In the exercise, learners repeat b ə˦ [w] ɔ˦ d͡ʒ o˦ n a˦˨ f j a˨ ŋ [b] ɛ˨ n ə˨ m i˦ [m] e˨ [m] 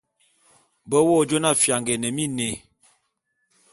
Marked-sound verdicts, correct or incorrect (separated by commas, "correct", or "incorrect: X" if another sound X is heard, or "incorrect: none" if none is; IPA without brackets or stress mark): correct, incorrect: ɡ, incorrect: n, incorrect: none